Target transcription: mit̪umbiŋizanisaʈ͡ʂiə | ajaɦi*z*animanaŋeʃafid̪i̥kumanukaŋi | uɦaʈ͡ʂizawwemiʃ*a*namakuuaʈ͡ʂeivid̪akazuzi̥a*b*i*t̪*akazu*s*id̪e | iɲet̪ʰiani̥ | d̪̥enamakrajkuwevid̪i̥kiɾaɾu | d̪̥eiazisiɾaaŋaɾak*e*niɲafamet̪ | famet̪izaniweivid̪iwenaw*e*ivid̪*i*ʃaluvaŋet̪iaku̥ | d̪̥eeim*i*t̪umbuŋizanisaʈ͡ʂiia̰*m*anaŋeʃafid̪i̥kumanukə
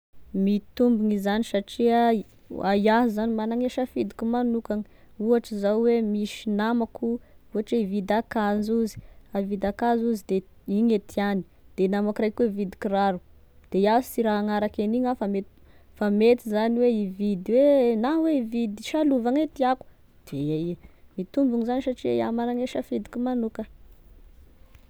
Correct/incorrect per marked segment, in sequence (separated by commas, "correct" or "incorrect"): correct, incorrect, incorrect, incorrect, incorrect, correct, correct, correct, correct, correct